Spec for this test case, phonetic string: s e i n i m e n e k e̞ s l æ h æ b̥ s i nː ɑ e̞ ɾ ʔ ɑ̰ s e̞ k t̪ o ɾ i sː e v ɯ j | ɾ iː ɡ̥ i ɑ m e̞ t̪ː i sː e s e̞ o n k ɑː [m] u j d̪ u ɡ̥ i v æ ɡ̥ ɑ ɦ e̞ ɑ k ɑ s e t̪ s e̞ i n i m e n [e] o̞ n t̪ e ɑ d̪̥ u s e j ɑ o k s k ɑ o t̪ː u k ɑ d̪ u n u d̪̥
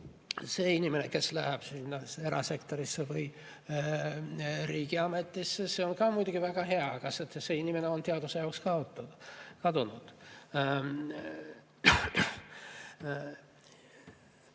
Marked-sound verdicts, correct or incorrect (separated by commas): correct, correct